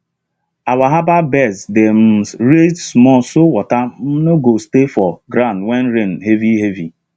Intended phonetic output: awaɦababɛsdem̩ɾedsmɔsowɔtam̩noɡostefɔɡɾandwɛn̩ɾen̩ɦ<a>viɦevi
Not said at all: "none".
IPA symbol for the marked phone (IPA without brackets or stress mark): e